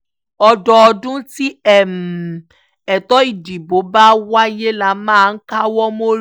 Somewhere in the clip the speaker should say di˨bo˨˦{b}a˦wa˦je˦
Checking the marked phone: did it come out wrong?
no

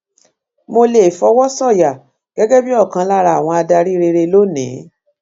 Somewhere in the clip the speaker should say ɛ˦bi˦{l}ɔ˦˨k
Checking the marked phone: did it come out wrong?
yes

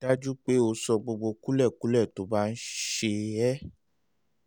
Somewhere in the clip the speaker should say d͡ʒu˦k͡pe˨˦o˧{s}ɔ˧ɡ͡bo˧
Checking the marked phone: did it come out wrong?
no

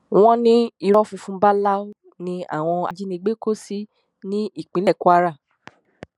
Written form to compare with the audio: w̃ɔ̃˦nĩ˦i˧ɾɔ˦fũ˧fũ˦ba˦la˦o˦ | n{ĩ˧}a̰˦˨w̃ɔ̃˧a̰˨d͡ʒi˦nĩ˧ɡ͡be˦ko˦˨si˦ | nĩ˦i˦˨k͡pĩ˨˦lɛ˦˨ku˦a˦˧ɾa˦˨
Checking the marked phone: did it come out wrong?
no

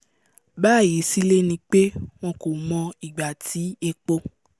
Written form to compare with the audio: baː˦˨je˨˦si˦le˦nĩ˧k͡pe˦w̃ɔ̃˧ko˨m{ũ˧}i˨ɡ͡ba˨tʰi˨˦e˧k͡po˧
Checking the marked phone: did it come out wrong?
yes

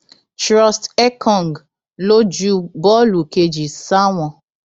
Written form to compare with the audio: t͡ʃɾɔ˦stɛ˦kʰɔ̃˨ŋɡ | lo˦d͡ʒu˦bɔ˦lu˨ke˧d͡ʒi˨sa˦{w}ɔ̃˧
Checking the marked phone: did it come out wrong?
no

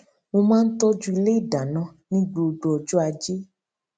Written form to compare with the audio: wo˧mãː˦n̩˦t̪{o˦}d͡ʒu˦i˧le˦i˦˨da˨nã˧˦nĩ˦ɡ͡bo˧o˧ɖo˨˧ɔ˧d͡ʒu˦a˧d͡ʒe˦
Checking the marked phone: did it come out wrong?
yes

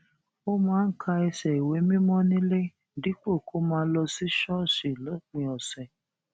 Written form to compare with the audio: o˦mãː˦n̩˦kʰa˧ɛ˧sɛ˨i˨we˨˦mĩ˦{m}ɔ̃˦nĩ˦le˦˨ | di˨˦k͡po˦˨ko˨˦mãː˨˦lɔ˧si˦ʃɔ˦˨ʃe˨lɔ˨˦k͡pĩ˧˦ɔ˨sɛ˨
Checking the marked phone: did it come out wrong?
no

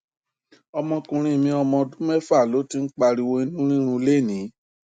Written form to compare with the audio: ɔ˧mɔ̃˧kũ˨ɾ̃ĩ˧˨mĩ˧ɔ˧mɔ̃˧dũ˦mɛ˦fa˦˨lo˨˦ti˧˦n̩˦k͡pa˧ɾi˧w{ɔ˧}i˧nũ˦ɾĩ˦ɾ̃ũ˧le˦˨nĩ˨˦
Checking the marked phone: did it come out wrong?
yes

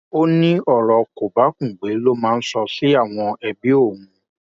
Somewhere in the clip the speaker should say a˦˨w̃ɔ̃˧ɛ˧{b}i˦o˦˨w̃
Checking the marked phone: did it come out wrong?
no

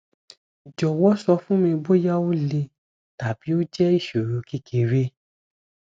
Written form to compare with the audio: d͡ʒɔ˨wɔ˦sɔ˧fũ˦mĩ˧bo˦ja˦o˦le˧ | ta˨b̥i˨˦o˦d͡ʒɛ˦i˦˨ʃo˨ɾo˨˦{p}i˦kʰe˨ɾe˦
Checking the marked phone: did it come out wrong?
yes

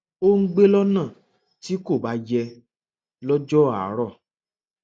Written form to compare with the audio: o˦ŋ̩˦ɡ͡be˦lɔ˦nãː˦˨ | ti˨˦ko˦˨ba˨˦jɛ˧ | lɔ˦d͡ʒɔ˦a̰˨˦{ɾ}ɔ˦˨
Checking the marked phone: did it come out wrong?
no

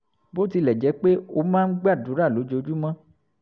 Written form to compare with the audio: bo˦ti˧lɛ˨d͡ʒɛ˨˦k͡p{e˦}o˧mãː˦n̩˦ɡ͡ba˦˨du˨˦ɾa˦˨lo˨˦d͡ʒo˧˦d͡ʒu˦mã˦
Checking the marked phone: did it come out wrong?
no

